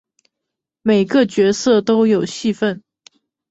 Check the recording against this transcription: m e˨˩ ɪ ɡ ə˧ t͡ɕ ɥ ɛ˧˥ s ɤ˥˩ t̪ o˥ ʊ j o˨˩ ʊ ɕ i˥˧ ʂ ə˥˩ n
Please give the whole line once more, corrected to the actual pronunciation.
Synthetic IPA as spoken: m e˨˩ ɪ ɡ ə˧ t͡ɕ ɥ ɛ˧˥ s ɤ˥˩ t̪ o˥ ʊ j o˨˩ ʊ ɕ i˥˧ f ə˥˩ n